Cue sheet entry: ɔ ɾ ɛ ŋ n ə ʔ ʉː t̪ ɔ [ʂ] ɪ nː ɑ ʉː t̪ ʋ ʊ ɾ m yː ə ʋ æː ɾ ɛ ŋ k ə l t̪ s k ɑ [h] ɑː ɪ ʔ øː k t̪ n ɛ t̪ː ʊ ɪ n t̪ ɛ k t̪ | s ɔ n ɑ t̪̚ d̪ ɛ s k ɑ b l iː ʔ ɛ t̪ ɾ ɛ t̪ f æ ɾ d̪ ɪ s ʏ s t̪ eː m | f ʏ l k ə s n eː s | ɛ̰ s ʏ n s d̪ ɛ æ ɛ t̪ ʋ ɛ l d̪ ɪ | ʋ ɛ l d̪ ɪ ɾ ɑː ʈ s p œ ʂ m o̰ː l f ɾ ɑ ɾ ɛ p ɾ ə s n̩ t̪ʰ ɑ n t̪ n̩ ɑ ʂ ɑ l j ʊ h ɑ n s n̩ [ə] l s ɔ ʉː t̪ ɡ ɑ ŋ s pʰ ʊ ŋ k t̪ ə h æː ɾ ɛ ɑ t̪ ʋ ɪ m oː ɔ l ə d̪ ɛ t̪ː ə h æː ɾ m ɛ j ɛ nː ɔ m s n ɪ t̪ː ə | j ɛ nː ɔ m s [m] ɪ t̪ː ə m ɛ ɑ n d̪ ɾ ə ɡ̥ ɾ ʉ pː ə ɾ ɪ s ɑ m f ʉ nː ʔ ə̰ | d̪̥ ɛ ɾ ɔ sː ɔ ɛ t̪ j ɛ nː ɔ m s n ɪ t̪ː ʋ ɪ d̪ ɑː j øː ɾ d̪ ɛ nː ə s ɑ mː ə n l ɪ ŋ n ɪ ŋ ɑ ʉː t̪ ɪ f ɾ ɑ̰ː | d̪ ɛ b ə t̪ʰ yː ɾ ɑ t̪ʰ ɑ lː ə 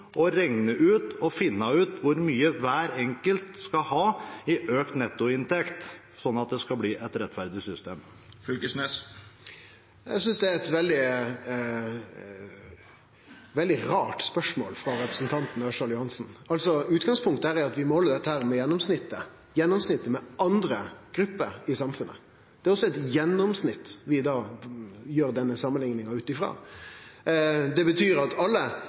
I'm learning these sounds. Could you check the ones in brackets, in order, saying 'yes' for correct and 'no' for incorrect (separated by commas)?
no, yes, no, no